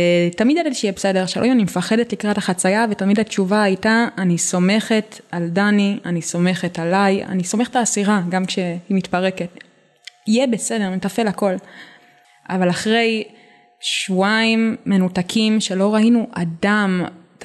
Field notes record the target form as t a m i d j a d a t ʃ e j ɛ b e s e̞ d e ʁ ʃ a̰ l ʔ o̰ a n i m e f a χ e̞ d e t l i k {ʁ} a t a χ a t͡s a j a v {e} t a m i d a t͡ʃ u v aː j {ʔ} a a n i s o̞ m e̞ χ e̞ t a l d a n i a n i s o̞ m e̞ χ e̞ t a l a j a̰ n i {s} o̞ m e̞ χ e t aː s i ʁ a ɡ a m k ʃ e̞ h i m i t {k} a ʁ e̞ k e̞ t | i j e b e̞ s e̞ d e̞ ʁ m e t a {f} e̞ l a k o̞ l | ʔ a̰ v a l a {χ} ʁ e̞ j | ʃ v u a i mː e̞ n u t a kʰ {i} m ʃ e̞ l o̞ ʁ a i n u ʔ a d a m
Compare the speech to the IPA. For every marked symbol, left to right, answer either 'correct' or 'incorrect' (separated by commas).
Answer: correct, correct, incorrect, correct, incorrect, correct, correct, correct